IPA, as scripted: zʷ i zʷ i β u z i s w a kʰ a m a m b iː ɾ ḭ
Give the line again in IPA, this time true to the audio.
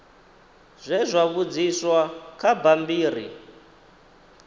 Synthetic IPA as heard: zʷ ɛ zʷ a β u d͡z i s w a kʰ a b a m b iː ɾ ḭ